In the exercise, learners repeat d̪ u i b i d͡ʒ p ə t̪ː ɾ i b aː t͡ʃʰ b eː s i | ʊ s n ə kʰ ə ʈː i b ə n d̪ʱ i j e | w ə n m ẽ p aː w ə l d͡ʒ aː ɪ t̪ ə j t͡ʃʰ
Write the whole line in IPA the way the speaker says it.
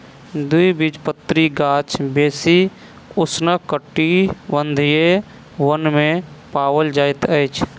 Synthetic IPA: d̪ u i b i d͡ʒ p ə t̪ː ɾ i ɡ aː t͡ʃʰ b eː s i | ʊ s n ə k ə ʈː i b ə n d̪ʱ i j e | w ə n m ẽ p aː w ə l d͡ʒ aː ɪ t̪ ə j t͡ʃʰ